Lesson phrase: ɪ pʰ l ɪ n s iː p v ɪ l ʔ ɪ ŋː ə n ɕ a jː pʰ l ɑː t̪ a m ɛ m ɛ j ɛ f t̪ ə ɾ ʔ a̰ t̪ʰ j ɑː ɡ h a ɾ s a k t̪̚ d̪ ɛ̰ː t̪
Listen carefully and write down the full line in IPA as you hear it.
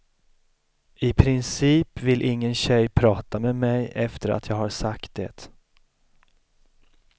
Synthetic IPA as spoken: ɪ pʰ ɾ ɪ n s iː p v ɪ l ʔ ɪ ŋː ə n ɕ ɛ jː pʰ ɾ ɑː t̪ a m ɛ m ɛ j ɛ f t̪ ə ɾ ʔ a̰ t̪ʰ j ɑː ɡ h a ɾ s a k t̪̚ d̪ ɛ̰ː t̪